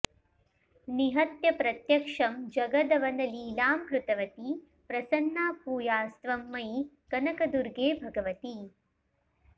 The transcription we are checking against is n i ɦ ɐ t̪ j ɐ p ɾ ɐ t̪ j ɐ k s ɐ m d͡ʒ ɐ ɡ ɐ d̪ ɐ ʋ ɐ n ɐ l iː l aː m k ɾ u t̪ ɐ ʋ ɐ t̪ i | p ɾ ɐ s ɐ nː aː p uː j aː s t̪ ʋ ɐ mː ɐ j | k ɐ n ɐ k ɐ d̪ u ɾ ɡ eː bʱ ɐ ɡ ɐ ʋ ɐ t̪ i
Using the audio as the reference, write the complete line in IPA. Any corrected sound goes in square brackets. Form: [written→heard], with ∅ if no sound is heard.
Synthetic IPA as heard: n i ɦ ɐ t̪ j ɐ p ɾ ɐ t̪ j ɐ k [s→ʂ] ɐ m d͡ʒ ɐ ɡ ɐ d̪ ɐ ʋ ɐ n ɐ l iː l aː m k ɾ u t̪ ɐ ʋ ɐ t̪ i | p ɾ ɐ s ɐ nː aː p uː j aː s t̪ ʋ ɐ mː ɐ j | k ɐ n ɐ k ɐ d̪ u ɾ ɡ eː bʱ ɐ ɡ ɐ ʋ ɐ t̪ i